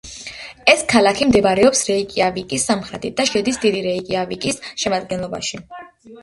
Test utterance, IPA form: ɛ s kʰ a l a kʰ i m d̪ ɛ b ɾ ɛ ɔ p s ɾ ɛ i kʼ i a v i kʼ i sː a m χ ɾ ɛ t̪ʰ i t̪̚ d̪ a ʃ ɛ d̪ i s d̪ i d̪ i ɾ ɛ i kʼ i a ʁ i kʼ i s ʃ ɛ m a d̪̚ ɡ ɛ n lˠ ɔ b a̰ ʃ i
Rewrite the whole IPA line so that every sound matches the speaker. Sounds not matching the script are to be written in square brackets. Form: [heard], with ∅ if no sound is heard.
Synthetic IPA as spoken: ɛ s kʰ a l a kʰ i m d̪ ɛ b ɾ ɛ ɔ p s ɾ ɛ i kʼ i a v i kʼ i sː a m χ ɾ ɛ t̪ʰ i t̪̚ d̪ a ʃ ɛ d̪ i s d̪ i d̪ i ɾ ɛ i kʼ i a [v] i kʼ i s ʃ ɛ m a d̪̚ ɡ ɛ n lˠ ɔ b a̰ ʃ i